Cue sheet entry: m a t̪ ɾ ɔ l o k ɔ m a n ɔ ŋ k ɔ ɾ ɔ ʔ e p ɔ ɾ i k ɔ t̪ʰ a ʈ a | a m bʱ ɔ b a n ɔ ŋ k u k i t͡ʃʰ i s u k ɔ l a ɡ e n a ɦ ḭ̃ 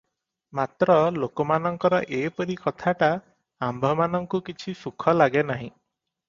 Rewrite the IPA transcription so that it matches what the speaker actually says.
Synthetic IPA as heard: m a t̪ ɾ ɔ l o k ɔ m a n ɔ ŋ k ɔ ɾ ɔ ʔ e p ɔ ɾ i k ɔ t̪ʰ a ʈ a | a m bʱ ɔ m a n ɔ ŋ k u k i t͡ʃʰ i s u kʰ ɔ l a ɡ e n a ɦ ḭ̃